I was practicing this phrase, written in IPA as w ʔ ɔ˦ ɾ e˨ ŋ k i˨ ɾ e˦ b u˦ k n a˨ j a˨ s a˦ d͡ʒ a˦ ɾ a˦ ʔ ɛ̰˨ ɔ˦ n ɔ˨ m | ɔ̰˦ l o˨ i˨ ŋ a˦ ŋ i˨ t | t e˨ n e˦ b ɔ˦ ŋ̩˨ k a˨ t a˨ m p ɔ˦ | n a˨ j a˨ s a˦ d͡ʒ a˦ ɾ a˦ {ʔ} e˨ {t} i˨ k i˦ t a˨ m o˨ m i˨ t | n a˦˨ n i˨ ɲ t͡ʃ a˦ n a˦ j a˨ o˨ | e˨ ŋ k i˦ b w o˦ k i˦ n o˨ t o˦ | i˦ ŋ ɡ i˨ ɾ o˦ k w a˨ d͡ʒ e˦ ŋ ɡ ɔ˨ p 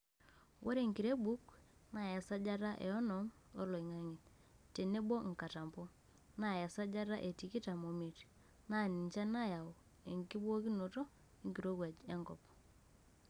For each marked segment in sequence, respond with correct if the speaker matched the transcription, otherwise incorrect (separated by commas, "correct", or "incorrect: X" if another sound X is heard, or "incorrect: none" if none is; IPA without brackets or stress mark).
correct, correct